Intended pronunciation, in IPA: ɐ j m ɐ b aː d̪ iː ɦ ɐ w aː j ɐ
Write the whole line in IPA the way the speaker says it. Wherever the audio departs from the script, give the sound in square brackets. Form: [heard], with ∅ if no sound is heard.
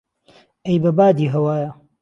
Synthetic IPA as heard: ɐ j [b] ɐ b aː d̪ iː ɦ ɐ w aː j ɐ